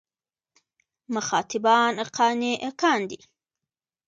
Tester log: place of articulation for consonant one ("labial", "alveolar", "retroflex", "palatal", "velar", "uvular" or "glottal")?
labial